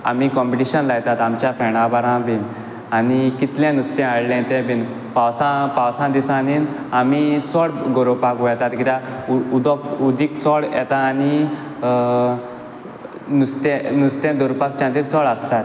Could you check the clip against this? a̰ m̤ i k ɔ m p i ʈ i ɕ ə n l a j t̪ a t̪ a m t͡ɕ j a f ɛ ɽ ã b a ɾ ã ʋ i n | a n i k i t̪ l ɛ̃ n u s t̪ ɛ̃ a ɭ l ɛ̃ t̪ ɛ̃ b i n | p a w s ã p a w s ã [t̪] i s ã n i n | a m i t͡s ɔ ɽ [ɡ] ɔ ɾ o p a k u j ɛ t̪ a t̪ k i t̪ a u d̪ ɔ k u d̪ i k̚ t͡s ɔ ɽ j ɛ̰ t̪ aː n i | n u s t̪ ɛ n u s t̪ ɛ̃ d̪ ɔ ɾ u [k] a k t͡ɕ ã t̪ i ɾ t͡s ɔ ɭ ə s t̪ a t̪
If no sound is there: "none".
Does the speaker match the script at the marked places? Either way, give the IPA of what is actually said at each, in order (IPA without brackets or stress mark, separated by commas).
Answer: d̪, ɡ, p